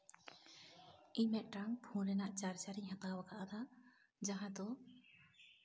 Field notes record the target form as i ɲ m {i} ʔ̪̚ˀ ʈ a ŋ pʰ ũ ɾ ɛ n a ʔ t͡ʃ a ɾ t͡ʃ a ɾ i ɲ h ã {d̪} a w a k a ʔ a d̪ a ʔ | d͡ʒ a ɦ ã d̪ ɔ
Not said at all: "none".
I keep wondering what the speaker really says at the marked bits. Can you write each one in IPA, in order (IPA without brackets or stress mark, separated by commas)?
ɛ, t̪